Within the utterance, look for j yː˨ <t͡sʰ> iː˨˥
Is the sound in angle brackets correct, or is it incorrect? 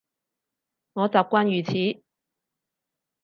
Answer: correct